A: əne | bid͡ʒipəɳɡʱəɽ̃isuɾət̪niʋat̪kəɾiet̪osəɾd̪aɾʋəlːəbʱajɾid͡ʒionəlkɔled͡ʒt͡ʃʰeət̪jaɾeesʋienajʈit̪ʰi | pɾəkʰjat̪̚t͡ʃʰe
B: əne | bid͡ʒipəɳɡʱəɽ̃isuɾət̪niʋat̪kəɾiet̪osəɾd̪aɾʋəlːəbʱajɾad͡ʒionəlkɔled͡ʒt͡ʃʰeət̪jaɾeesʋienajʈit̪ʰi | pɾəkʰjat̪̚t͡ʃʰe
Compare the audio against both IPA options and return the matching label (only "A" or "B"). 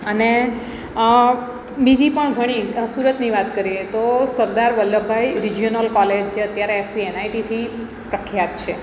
A